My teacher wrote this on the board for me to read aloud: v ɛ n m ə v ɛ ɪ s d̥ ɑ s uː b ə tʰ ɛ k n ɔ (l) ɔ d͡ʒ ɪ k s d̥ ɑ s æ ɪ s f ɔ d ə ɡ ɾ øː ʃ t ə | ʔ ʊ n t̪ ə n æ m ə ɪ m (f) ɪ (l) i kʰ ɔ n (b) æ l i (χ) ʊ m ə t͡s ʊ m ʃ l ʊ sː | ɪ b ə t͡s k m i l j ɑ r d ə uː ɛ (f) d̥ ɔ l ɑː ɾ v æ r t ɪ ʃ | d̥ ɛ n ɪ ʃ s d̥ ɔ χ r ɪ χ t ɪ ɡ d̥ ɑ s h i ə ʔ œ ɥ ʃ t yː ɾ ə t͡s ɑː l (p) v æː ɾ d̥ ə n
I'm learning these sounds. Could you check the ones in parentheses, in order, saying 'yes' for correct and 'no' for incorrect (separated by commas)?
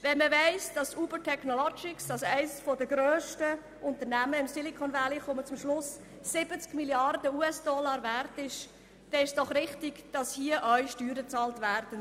yes, no, yes, no, yes, no, no